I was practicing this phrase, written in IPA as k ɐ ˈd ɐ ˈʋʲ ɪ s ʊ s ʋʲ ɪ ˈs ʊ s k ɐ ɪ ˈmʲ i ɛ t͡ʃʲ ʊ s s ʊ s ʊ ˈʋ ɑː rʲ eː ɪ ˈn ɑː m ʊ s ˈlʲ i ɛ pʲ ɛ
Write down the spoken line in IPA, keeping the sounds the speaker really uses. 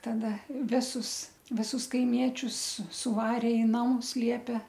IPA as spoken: t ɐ ˈd ɐ ˈʋʲ ɪ s ʊ s ʋʲ ɪ ˈs ʊ s k ɐ ɪ ˈmʲ i ɛ t͡ʃʲ ʊ s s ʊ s ʊ ˈʋ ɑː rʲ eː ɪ ˈn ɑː m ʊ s ˈlʲ i ɛ pʲ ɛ